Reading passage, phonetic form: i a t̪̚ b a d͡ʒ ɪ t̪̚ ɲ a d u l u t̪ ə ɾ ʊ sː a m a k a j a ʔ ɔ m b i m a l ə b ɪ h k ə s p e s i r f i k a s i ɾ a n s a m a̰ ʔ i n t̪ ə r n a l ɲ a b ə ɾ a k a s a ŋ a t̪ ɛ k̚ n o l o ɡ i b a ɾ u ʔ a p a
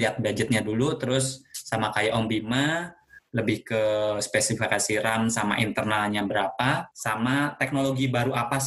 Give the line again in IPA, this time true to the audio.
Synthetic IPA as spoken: i a t̪̚ b a d͡ʒ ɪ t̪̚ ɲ a d u l u t̪ ə ɾ ʊ sː a m a k a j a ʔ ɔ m b i m a l ə b ɪ h k ə s p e s i f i k a s i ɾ a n s a m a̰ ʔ i n t̪ ə r n a l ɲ a b ə ɾ a p a s a m a t̪ ɛ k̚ n o l o ɡ i b a ɾ u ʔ a p a